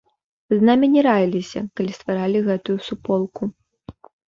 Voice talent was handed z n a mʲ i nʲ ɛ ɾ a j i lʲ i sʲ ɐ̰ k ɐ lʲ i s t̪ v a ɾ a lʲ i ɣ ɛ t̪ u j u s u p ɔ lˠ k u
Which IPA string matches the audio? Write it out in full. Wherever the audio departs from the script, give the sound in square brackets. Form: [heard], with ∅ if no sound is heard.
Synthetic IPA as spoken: z n a mʲ i nʲ ɛ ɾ a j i lʲ i sʲ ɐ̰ k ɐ lʲ i s t̪ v a ɾ a lʲ i ɣ ɛ t̪ u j u s u p ɔ lˠ k u